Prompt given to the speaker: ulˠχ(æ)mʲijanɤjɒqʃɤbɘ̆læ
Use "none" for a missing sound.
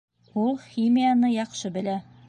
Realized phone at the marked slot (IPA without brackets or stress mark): i